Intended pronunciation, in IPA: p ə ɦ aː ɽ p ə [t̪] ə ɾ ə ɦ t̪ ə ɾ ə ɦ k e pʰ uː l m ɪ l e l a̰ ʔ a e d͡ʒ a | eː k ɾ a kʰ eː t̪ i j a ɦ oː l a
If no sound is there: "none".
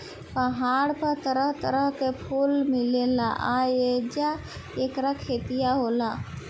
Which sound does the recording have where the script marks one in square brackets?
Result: t̪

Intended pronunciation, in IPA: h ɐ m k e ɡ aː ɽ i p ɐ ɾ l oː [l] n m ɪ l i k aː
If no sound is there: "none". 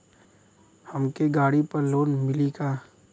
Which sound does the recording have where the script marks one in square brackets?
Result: none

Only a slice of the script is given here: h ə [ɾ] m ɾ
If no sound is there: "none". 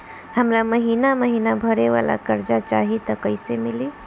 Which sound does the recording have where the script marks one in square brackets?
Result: none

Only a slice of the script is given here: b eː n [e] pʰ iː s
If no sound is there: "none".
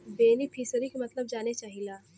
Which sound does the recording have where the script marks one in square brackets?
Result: i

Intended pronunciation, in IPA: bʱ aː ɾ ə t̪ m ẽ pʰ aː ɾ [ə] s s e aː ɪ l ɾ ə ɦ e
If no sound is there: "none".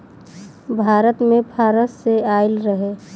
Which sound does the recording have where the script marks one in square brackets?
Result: ə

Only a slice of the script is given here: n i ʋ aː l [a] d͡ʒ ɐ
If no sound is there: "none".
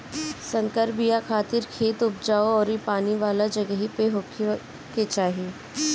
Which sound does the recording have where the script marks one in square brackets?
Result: a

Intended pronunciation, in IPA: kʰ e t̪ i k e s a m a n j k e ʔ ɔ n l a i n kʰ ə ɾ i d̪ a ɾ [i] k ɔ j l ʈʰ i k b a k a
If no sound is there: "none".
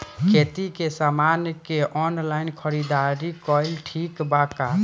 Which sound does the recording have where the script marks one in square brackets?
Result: i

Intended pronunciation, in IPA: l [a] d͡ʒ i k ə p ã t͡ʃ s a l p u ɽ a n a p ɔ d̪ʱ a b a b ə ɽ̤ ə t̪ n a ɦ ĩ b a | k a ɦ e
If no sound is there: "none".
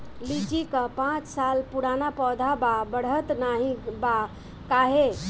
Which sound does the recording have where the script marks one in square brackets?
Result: i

